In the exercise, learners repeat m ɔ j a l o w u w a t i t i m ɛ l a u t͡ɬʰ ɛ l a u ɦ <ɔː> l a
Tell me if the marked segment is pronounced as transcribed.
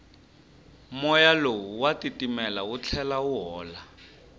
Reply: yes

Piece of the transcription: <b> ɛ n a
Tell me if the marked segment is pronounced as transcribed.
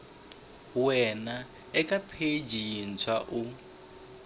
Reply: no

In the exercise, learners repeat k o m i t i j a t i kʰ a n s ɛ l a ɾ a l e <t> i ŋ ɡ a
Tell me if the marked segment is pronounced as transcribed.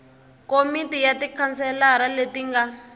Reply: yes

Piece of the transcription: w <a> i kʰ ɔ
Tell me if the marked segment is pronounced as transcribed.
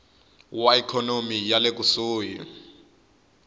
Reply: yes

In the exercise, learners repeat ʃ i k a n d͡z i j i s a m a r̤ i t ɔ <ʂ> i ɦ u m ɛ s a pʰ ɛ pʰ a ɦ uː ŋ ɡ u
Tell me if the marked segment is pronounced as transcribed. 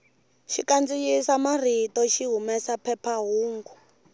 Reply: no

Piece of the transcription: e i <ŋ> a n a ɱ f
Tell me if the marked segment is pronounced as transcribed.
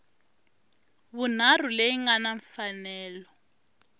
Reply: yes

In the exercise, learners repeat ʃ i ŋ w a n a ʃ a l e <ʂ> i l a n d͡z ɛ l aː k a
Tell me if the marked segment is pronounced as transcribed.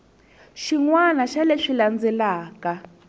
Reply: yes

